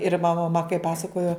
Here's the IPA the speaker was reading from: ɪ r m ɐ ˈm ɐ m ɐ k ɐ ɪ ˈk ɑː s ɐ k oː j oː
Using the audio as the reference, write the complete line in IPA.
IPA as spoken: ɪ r m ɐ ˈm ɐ m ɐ k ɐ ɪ ˈp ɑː s ɐ k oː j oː